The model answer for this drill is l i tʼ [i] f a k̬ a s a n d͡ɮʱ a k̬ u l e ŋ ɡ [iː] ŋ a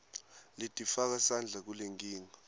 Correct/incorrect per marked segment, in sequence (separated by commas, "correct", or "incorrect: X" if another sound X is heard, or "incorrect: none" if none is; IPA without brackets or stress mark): correct, correct